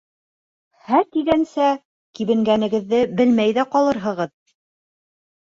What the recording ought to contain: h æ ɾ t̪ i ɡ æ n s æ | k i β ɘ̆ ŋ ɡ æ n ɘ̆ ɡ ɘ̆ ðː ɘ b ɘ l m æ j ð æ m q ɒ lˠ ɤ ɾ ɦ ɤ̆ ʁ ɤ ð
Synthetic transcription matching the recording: h æ ɾ t̪ i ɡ æ n s æ | k i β ɘ̆ ŋ ɡ æ n ɘ̆ ɡ ɘ̆ ðː ɘ b ɘ l m æ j ð æ q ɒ lˠ ɤ ɾ ɦ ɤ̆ ʁ ɤ ð